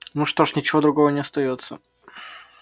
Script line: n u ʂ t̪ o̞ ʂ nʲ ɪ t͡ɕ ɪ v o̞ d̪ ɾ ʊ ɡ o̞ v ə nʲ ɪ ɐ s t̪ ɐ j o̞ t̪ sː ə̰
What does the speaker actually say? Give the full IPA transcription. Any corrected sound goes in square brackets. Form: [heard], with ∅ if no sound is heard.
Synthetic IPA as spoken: n u ʂ t̪ o̞ ʂ nʲ ɪ t͡ɕ ɪ v o̞ d̪ ɾ ʊ ɡ o̞ v ə nʲ ɪ ɐ s t̪ ɐ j o̞ t̪ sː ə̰